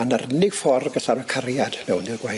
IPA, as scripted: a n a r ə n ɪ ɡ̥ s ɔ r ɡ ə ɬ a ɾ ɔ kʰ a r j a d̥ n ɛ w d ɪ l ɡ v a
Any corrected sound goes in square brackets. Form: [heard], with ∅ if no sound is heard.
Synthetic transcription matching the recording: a n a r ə n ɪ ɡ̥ [f] ɔ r ɡ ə ɬ a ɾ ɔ kʰ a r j a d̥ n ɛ w [n] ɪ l ɡ [w] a